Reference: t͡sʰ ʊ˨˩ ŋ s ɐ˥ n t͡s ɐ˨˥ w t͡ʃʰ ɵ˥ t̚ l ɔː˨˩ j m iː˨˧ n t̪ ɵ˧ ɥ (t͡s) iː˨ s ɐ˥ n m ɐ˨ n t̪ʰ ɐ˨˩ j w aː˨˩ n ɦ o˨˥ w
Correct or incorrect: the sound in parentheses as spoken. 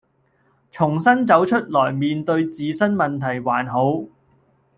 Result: correct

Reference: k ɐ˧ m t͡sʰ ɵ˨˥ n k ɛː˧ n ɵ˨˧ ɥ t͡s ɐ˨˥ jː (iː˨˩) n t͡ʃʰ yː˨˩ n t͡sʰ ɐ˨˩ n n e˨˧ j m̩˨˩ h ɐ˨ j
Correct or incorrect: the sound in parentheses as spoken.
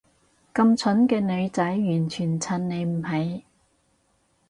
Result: incorrect: yː˨˩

